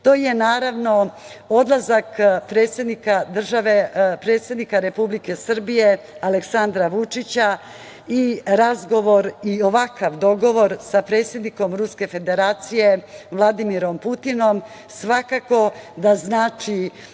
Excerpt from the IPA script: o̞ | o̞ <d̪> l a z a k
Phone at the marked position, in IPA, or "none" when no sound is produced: d̪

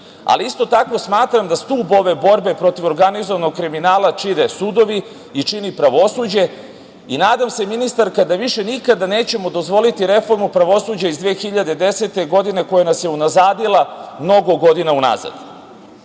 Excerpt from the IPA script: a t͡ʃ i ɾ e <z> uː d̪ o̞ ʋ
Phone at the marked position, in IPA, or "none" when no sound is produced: s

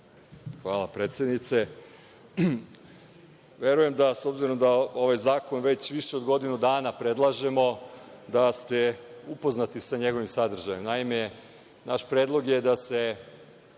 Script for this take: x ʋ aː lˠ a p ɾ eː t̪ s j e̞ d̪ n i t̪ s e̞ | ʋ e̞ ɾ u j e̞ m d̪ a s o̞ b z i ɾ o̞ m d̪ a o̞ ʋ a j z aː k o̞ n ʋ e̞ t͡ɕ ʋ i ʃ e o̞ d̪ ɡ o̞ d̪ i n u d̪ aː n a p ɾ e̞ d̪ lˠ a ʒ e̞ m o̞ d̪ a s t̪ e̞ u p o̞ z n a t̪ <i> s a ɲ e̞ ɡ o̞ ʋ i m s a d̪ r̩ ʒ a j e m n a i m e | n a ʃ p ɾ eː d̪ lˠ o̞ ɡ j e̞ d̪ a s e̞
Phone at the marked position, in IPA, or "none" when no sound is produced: i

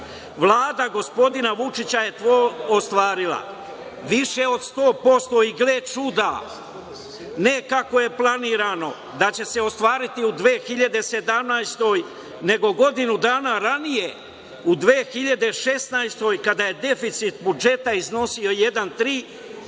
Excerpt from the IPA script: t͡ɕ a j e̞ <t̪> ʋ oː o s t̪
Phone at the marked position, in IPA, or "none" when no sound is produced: t̪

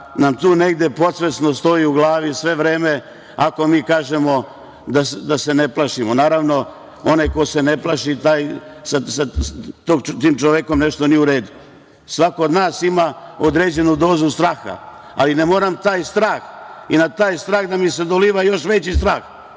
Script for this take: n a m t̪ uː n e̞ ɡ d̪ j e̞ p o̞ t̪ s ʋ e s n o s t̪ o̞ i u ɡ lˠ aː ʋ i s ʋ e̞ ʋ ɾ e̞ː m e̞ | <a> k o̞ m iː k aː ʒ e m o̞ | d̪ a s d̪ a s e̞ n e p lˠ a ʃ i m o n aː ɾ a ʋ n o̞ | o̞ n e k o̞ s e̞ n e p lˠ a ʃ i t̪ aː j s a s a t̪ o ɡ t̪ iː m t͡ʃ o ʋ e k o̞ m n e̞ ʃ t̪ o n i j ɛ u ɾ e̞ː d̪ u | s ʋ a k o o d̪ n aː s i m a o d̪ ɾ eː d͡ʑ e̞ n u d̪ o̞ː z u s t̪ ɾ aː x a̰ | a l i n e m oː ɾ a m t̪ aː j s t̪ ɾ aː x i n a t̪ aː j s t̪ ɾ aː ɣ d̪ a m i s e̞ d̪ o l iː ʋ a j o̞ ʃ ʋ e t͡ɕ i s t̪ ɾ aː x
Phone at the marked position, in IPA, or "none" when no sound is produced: a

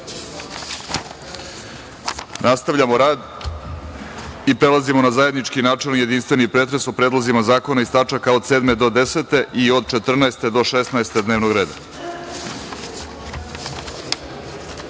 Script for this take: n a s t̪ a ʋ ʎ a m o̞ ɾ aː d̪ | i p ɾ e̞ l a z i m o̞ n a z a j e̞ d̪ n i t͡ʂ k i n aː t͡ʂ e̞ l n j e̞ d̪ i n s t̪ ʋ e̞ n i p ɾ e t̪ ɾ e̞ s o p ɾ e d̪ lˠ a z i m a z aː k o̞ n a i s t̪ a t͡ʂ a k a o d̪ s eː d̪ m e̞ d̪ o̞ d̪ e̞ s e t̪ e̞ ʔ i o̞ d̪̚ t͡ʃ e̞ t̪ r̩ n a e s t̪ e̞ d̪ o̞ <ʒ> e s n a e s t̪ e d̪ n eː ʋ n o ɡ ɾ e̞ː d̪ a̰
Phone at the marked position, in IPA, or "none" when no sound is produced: ʃ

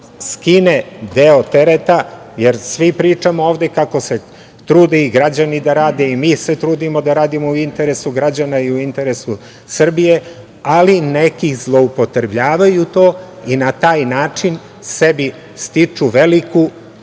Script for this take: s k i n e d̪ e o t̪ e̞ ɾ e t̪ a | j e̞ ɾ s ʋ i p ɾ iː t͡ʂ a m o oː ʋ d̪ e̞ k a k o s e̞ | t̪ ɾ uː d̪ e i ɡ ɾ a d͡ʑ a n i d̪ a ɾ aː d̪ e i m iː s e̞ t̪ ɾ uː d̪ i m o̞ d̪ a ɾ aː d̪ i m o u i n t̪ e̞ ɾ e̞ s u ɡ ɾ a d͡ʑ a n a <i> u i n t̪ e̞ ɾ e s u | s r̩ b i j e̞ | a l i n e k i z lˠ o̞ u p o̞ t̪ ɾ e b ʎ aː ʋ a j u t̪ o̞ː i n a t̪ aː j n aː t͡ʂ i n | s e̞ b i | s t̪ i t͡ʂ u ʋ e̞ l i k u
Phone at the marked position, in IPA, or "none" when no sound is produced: i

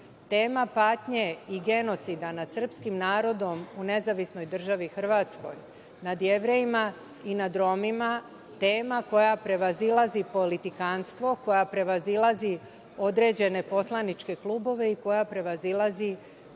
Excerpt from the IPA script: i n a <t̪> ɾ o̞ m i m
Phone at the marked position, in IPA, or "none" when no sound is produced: d̪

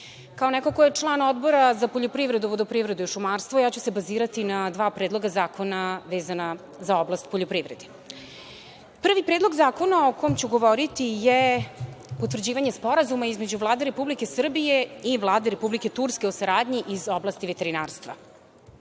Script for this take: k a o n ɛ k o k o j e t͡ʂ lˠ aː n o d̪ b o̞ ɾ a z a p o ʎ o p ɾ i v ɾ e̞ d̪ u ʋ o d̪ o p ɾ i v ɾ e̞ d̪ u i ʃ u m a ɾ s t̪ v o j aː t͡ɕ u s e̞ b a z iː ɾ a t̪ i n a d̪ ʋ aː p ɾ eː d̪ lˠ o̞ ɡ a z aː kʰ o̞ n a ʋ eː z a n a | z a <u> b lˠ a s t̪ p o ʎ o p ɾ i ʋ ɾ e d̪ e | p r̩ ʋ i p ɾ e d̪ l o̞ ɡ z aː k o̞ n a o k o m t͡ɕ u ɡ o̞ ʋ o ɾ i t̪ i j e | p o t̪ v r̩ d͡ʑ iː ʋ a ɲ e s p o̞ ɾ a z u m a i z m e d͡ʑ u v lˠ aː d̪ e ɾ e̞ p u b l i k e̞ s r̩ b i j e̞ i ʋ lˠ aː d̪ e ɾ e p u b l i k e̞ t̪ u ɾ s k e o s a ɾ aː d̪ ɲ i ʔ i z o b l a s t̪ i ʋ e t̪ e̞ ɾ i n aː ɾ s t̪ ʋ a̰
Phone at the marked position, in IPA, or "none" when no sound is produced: o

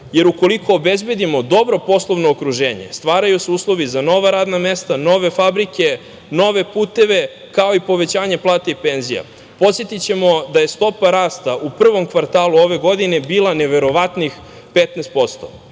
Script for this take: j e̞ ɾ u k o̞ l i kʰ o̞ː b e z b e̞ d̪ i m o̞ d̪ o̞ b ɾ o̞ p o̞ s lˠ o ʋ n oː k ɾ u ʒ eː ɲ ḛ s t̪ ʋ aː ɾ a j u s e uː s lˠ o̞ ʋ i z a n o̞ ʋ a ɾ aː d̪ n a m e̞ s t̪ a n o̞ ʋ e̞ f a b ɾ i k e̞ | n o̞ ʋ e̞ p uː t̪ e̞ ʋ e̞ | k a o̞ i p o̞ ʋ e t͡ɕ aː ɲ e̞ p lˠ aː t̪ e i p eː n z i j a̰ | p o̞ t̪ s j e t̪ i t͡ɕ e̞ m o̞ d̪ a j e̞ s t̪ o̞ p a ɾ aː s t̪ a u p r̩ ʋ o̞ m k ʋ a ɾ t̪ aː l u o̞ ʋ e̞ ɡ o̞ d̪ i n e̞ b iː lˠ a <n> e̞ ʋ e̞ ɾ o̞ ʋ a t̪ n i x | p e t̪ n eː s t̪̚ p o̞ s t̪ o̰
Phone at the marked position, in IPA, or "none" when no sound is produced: n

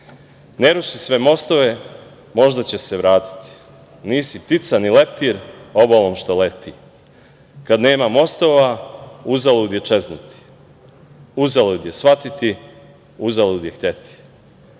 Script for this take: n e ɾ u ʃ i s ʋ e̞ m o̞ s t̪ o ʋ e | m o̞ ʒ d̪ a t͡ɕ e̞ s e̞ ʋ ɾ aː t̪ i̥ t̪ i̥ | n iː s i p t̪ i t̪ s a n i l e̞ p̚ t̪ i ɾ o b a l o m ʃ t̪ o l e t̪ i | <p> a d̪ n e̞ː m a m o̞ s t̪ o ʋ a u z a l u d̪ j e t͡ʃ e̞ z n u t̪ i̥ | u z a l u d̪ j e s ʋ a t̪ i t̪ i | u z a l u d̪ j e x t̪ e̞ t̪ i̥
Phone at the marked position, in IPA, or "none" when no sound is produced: k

